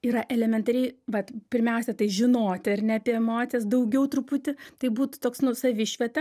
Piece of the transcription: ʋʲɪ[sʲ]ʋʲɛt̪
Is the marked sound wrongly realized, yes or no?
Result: yes